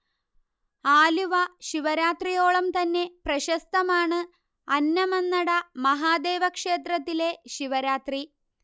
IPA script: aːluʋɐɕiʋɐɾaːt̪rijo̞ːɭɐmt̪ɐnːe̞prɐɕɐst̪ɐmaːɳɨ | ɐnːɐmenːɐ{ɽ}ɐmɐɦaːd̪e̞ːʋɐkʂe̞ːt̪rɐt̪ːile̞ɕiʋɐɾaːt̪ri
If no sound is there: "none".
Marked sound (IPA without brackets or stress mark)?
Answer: ɽ